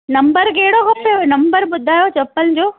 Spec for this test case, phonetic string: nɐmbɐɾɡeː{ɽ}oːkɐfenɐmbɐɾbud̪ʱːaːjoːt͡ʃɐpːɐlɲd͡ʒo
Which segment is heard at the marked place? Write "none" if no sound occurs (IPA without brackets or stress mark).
ɽ